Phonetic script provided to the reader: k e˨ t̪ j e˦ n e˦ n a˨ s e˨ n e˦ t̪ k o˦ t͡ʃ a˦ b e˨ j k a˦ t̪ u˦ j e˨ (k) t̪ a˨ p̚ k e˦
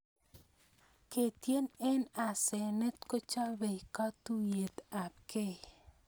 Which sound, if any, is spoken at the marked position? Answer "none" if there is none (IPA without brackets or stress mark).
none